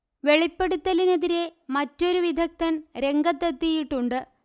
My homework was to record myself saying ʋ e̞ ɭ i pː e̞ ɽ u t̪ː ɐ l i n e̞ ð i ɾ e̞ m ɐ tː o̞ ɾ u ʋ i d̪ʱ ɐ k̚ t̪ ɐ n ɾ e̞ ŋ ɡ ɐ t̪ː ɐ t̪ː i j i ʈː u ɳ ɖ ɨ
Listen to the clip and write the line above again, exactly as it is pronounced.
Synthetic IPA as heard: ʋ e̞ ɭ i pː e̞ ɽ u t̪ː ɐ l i n e̞ ð i ɾ e̞ m ɐ tː o̞ ɾ u ʋ i d̪ʱ ɐ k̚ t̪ ɐ n ɾ e̞ ŋ ɡ ɐ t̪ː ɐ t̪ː i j i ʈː u ɳ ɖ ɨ

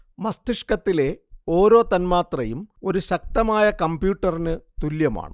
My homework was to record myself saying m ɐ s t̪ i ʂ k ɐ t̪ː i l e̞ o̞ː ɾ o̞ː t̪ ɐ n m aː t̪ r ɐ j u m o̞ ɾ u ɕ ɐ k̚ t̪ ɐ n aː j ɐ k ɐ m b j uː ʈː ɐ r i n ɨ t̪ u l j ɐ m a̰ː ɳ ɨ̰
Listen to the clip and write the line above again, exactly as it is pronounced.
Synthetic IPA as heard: m ɐ s t̪ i ʂ k ɐ t̪ː i l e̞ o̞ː ɾ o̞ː t̪ ɐ n m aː t̪ r ɐ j u m o̞ ɾ u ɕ ɐ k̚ t̪ ɐ m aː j ɐ k ɐ m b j uː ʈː ɐ r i n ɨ t̪ u l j ɐ m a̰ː ɳ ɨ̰

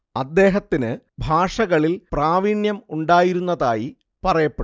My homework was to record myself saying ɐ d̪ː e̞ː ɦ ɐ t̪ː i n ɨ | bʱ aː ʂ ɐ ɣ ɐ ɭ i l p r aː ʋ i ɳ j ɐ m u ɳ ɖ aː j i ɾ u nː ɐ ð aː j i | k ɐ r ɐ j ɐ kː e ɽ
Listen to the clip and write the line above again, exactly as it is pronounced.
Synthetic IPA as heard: ɐ d̪ː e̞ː ɦ ɐ t̪ː i n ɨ | bʱ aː ʂ ɐ ɣ ɐ ɭ i l p r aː ʋ i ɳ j ɐ m u ɳ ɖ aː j i ɾ u nː ɐ ð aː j i | p ɐ r ɐ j ɐ pː e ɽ

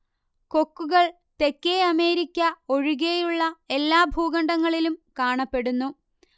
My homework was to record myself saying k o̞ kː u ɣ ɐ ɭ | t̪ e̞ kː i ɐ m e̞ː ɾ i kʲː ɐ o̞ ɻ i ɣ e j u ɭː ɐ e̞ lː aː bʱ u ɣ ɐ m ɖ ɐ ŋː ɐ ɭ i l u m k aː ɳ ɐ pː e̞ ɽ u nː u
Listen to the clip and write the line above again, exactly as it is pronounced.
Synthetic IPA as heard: k o̞ kː u ɣ ɐ ɭ | t̪ e̞ kː e ɐ m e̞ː ɾ i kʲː ɐ o̞ ɻ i ɣ e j u ɭː ɐ e̞ lː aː bʱ uː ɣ ɐ ɳ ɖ ɐ ŋː ɐ ɭ i l u m k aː ɳ ɐ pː e̞ ɽ u nː u

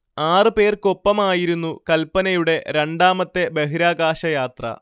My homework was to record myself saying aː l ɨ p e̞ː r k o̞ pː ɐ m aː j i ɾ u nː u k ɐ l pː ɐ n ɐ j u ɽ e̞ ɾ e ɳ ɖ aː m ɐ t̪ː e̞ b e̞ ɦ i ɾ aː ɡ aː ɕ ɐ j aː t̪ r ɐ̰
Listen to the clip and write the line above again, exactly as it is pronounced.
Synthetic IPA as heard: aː r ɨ p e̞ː r k o̞ pː ɐ m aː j i ɾ u nː u k ɐ l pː ɐ n ɐ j u ɽ e̞ ɾ e ɳ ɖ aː m ɐ t̪ː e̞ b e̞ ɦ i ɾ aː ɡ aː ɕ ɐ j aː t̪ r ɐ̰

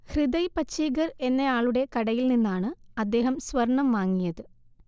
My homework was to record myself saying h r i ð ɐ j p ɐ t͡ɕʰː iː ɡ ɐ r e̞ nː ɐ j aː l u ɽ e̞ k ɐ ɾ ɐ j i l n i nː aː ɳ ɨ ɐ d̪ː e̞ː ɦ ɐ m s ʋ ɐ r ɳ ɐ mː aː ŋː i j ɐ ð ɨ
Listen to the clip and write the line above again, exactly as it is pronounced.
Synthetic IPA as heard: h r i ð ɐ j p ɐ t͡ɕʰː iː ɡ ɐ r e̞ nː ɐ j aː ɭ u ɽ e̞ k ɐ ɽ ɐ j i l n i nː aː ɳ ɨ ɐ d̪ː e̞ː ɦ ɐ m s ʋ ɐ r ɳ ɐ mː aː ŋː i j ɐ ð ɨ

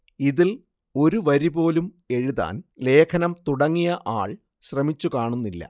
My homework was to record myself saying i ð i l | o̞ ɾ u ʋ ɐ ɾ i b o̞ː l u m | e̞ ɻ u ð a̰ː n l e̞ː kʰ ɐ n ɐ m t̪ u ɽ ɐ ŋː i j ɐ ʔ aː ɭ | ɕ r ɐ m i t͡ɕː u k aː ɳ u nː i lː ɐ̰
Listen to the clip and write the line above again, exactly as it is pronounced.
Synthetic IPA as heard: i ð i l | o̞ ɾ u ʋ ɐ ɾ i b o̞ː l u m | e̞ ɻ u ð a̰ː n l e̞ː kʰ ɐ n ɐ m t̪ u ɽ ɐ ŋː i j ɐ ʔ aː ɭ | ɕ r ɐ m i t͡ɕː u k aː ɳ u nː i lː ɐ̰

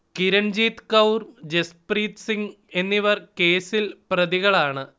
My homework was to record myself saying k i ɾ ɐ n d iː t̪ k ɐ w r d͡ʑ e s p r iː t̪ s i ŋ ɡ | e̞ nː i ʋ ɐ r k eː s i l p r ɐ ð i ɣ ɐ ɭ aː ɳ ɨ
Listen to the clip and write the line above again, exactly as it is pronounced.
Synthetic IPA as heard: k i ɾ ɐ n d͡ʑ iː t̪ k ɐ w r d͡ʑ e s p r iː t̪ s i ŋ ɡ | e̞ nː i ʋ ɐ r k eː s i l p r ɐ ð i ɣ ɐ ɭ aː ɳ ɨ

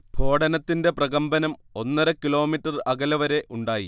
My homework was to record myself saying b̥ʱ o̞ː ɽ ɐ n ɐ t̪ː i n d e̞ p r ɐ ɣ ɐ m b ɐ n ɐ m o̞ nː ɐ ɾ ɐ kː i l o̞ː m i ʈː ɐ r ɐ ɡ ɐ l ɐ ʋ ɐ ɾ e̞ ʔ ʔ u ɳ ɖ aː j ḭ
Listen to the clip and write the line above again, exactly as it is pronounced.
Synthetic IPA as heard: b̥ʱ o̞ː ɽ ɐ n ɐ t̪ː i n d e̞ p r ɐ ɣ ɐ m b ɐ n ɐ m o̞ nː ɐ ɾ ɐ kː i l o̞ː m i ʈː ɐ r ɐ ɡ ɐ l ɐ ʋ ɐ ɾ e̞ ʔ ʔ u ɳ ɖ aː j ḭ

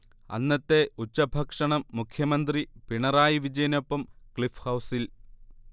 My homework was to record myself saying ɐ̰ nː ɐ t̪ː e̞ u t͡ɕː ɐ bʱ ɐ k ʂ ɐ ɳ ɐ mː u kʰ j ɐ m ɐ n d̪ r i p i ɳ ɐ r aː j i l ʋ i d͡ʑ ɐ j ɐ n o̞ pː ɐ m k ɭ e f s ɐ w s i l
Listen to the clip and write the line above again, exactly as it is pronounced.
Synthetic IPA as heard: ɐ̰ nː ɐ t̪ː e̞ u t͡ɕː ɐ bʱ ɐ k ʂ ɐ ɳ ɐ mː u kʰ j ɐ m ɐ n d̪ r i p i ɳ ɐ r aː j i ʋ i d͡ʑ ɐ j ɐ n o̞ pː ɐ m k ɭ i f h ɐ w s i l

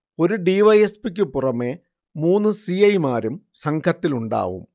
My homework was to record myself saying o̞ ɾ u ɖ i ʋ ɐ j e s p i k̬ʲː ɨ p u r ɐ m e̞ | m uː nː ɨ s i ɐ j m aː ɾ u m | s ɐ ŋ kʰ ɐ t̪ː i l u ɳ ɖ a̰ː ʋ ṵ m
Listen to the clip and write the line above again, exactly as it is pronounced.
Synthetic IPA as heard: o̞ ɾ u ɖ i ʋ ɐ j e s p i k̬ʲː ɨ p u r ɐ m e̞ | m uː nː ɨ s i ɐ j m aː ɾ u m | s ɐ ŋ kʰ ɐ t̪ː i l u ɳ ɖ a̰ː ʋ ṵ m

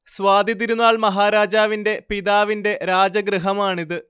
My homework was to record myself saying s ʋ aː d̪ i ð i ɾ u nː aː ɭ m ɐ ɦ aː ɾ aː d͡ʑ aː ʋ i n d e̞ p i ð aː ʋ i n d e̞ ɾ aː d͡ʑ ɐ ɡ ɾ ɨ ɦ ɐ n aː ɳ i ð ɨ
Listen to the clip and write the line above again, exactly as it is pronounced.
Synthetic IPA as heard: s ʋ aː d̪ i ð i ɾ u nː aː ɭ m ɐ ɦ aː ɾ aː d͡ʑ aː ʋ i n d e̞ p i ð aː ʋ i n d e̞ ɾ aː d͡ʑ ɐ ɡ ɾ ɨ ɦ ɐ m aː ɳ i ð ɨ

